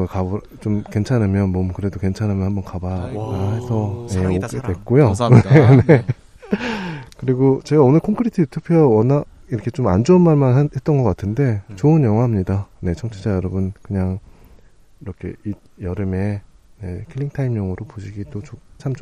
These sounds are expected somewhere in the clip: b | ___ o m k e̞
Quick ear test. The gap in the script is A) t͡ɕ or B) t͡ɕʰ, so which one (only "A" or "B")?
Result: A